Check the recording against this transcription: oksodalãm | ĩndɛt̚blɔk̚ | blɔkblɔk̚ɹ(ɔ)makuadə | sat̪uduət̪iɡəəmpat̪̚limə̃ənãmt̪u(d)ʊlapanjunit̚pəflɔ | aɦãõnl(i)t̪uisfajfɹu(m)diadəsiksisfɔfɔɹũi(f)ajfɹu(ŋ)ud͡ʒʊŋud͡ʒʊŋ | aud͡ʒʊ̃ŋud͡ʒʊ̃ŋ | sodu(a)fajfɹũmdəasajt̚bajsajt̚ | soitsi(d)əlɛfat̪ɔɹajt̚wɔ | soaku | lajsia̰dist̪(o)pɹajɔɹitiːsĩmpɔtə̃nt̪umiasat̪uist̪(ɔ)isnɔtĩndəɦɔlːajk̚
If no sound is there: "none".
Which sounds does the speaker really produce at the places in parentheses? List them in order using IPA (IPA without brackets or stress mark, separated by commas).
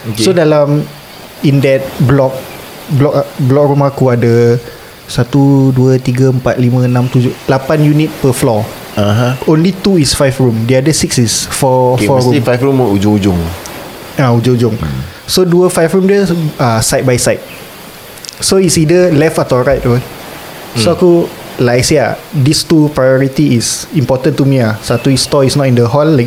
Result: u, d͡ʒ, i, m, f, m, ə, d, u, ɔ